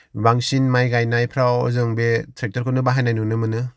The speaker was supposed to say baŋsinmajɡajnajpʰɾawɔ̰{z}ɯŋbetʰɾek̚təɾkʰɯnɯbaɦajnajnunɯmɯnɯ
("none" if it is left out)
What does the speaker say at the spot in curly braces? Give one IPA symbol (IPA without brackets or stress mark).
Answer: z